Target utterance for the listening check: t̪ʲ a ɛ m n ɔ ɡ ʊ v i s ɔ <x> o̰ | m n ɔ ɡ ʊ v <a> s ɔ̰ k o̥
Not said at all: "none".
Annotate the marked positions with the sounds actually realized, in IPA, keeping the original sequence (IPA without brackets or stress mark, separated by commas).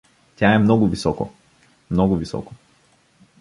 k, i